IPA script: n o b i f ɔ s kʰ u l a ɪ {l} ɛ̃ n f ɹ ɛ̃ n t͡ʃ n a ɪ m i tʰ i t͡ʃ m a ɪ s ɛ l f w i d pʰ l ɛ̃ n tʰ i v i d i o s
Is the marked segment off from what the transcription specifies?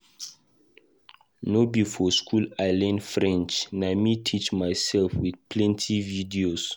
no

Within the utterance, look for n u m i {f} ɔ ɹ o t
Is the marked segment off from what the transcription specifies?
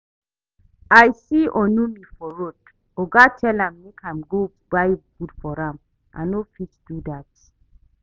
no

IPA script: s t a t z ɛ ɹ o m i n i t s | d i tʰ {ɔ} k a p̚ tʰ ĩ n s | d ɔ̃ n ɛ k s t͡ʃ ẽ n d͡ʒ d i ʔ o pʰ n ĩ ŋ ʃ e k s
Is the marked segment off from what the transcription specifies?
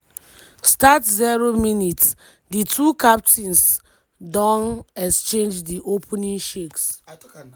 yes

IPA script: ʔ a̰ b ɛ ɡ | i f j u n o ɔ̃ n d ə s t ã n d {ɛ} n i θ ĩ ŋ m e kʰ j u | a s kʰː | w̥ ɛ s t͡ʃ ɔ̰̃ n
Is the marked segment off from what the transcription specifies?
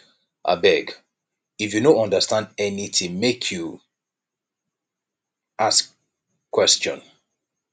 no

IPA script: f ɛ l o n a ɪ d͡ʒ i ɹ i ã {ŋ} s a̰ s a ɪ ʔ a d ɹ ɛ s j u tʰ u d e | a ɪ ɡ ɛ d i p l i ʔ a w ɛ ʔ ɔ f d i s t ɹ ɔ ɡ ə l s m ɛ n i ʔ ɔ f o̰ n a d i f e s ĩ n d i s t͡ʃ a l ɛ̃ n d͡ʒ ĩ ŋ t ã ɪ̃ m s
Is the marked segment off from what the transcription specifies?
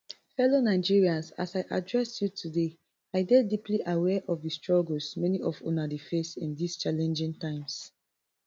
yes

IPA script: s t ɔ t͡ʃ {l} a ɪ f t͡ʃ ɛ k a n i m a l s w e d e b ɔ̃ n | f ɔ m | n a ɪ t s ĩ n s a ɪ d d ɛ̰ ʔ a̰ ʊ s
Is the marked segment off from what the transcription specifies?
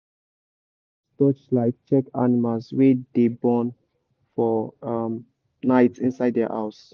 no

